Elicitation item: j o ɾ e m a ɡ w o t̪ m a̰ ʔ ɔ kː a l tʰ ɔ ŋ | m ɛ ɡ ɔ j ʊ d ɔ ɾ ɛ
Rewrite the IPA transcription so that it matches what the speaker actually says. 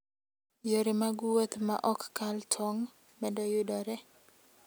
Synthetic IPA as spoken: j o ɾ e m a ɡ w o t̪ m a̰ ʔ ɔ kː a l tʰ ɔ ŋ | m ɛ d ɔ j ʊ d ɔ ɾ ɛ